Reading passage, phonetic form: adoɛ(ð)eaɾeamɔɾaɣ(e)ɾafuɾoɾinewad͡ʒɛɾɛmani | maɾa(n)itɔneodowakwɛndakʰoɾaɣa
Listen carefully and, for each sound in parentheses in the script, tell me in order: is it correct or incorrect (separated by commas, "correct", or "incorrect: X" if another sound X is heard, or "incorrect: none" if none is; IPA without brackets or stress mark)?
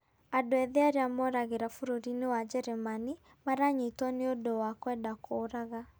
correct, correct, incorrect: ɲ